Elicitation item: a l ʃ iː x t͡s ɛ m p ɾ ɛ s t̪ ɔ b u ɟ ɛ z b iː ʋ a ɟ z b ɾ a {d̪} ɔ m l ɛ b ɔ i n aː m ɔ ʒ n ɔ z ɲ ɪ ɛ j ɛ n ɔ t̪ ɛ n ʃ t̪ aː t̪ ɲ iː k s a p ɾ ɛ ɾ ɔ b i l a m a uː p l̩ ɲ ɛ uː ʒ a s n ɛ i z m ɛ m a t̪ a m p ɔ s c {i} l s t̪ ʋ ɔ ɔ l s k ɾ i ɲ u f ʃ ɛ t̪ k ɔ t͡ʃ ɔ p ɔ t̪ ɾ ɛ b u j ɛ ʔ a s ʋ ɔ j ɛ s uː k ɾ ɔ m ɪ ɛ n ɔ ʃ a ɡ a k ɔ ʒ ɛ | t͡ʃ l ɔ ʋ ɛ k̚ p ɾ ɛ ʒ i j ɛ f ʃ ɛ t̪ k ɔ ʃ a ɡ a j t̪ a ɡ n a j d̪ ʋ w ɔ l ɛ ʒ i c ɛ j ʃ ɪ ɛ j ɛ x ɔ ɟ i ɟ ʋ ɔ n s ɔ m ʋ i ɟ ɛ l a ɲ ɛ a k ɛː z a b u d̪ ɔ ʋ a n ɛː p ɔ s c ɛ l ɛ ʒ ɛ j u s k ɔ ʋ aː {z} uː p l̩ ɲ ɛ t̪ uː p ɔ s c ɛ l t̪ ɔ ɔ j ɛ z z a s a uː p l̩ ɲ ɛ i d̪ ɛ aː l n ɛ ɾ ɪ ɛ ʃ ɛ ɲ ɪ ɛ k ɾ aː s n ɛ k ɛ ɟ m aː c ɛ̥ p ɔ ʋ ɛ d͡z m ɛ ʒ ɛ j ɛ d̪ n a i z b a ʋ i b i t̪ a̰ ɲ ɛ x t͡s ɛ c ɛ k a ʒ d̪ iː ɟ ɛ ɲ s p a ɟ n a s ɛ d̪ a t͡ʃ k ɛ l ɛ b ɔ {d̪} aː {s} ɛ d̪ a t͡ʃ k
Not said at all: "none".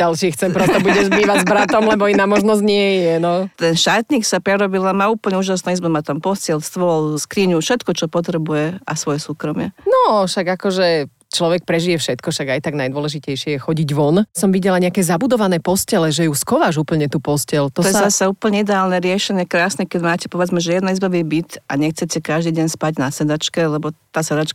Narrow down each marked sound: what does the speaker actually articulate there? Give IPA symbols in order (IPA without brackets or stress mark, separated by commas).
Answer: t̪, ɛ, ʒ, t̪, s